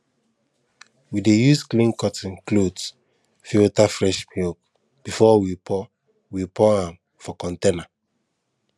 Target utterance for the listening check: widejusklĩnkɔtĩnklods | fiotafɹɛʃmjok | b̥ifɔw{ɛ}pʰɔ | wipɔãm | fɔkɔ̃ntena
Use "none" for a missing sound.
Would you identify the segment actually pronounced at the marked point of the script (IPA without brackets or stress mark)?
i